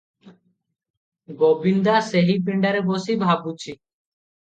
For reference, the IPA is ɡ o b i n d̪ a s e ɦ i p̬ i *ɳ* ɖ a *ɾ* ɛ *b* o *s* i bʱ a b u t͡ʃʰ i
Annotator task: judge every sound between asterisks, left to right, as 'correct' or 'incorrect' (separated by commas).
correct, correct, correct, correct